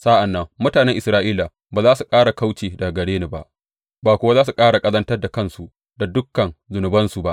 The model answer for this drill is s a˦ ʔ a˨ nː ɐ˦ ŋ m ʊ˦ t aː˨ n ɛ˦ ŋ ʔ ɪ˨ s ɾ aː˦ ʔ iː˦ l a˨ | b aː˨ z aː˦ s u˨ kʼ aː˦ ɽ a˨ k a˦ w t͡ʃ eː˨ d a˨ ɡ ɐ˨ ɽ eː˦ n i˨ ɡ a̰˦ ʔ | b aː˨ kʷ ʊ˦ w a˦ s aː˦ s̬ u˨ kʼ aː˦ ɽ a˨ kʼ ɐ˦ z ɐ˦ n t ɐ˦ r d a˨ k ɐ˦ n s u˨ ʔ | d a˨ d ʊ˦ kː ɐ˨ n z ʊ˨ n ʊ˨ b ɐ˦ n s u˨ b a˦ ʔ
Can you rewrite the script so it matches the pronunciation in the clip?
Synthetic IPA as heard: s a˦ ʔ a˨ nː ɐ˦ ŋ m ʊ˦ t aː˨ n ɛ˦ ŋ ʔ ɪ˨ s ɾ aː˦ ʔ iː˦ l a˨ | b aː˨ z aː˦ s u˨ kʼ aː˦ ɽ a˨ k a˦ w t͡ʃ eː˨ d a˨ ɡ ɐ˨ ɽ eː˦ n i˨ b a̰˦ ʔ | b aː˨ kʷ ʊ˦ w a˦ z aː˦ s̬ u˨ kʼ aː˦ ɽ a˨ kʼ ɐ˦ z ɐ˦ n t ɐ˦ r d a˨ k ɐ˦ n s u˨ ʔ | d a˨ d ʊ˦ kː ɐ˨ n z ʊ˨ n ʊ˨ b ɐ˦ n s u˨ b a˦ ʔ